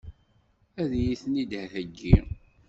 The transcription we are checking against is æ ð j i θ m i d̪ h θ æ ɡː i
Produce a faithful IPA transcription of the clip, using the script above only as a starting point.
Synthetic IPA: æ ð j i θ n i d̪ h θ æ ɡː i